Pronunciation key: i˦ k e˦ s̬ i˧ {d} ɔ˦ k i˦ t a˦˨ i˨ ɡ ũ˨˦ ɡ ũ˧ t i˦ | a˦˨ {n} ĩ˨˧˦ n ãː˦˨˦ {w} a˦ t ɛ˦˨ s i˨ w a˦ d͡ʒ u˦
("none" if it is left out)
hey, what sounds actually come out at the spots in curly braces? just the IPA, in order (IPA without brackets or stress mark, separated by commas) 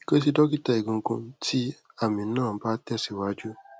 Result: d, m, b